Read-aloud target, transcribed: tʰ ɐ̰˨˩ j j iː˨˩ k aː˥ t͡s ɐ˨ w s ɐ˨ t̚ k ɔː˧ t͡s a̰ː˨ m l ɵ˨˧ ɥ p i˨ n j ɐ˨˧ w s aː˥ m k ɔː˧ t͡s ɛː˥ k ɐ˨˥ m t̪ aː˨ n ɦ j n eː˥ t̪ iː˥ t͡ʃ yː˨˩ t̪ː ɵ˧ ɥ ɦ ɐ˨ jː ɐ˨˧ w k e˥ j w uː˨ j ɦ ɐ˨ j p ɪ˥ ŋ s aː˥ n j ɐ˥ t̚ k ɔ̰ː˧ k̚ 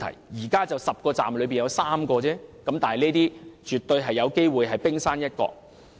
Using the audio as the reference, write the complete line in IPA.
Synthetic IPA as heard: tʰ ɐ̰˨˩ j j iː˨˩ k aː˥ t͡s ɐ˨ w s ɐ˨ p̚ k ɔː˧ t͡s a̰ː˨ m l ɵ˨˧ ɥ p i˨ n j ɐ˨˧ w s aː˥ m k ɔː˧ t͡s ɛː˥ k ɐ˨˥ m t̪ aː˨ n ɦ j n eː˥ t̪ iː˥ t͡ʃ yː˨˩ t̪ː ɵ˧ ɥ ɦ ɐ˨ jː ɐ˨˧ w k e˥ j w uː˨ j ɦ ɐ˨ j p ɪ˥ ŋ s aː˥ n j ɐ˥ t̚ k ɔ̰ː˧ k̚